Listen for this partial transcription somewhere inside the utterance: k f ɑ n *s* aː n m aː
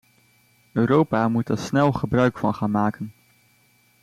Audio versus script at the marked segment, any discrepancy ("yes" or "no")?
yes